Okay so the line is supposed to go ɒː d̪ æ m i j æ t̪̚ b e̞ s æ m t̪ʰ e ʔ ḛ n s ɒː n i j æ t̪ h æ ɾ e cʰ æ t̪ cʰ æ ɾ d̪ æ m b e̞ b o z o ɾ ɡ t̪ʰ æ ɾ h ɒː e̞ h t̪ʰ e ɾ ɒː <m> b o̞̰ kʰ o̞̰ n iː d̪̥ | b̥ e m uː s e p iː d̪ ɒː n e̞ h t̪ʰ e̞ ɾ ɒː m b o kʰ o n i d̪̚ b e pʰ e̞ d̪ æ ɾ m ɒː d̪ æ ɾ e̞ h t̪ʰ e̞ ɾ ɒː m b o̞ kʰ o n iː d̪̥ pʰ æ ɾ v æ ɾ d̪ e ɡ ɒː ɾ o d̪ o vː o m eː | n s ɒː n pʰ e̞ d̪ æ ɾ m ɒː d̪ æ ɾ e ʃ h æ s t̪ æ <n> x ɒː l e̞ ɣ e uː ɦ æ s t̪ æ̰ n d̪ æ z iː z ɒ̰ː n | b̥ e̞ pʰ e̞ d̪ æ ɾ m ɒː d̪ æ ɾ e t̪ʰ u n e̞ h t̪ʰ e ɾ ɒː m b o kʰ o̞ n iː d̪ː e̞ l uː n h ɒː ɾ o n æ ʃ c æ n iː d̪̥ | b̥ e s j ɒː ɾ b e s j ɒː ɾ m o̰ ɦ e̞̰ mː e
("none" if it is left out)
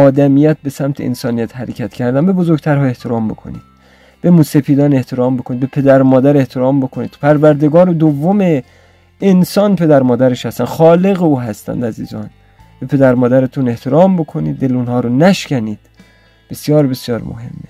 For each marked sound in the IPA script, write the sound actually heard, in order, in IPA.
m, n

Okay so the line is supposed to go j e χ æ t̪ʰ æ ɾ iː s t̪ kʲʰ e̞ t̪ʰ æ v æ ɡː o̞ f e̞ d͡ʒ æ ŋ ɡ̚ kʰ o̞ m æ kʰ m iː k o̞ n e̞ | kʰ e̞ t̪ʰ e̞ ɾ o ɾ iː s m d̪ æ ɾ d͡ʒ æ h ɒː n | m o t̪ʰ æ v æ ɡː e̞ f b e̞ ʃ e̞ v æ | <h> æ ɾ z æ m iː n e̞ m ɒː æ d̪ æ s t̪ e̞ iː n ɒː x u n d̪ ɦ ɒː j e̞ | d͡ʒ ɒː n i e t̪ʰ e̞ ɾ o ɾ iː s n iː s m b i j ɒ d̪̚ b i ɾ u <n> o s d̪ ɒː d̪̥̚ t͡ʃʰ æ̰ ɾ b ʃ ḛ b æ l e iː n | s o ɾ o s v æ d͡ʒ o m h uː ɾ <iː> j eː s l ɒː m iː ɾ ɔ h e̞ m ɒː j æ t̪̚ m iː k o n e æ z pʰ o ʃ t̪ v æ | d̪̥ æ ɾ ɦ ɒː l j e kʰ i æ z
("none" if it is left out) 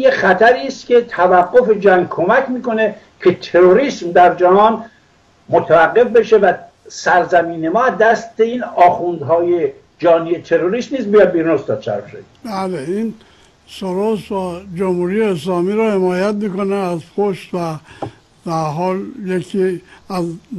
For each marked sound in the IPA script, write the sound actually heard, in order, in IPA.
s, n, i

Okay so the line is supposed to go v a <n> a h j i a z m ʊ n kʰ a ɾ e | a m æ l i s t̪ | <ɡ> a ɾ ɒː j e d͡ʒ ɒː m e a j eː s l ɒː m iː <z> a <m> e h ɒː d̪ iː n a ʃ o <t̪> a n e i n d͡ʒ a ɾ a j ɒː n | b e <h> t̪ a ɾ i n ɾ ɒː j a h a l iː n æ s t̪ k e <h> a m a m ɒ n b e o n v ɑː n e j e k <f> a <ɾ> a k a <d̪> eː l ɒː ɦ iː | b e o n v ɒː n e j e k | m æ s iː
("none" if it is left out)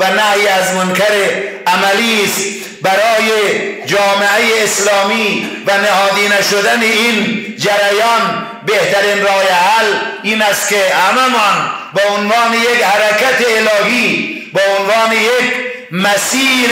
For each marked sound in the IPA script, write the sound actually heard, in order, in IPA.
n, b, v, n, d̪, h, h, h, ɾ, t̪

